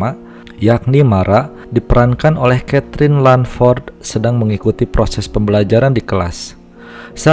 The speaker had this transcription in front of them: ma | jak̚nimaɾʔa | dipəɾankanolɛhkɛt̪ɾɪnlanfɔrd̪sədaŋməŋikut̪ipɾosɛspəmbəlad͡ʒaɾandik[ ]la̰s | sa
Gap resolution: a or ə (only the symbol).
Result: ə